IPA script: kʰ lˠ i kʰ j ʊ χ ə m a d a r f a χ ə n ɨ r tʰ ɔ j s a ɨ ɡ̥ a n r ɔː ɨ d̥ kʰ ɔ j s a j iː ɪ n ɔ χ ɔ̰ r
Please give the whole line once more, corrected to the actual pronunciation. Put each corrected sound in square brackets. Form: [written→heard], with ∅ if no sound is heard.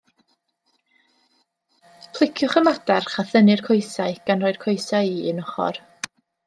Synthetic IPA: [kʰ→pʰ] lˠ [i→ɪ] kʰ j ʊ χ ə m a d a r [f→χ] a [χ→θ] ə n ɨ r [tʰ→kʰ] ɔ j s a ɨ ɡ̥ a n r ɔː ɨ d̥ kʰ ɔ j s a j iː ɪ n ɔ χ ɔ̰ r